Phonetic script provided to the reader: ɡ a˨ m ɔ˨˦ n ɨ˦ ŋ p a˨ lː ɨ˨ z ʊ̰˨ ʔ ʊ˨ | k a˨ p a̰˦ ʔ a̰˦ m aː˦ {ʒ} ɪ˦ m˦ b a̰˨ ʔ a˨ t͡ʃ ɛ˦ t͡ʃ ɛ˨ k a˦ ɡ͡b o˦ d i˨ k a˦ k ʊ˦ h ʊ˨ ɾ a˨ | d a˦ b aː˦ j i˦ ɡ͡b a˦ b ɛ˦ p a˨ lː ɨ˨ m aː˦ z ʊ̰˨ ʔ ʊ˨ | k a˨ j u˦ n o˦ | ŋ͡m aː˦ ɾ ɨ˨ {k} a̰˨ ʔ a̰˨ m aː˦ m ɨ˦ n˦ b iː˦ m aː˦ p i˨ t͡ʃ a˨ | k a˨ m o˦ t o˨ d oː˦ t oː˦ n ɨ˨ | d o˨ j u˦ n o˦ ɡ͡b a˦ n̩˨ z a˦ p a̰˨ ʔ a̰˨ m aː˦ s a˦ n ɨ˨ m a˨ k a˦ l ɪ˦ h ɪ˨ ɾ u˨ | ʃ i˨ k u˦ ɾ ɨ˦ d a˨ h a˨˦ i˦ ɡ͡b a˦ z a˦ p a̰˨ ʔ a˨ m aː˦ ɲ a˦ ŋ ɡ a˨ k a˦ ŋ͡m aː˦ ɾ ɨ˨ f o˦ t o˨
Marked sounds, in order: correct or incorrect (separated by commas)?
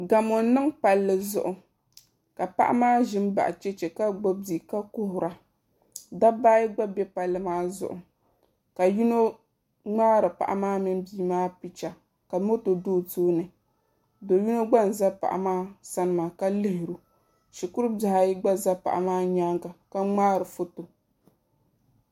correct, incorrect